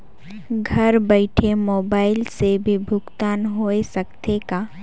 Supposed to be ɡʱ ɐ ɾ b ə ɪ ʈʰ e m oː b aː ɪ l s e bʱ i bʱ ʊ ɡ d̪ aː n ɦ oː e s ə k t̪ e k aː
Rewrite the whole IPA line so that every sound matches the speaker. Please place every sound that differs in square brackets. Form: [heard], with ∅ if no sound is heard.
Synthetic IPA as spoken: ɡʱ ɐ ɾ b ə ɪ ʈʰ e m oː b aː ɪ l s e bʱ i bʱ ʊ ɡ [t̪] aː n ɦ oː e s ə k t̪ e k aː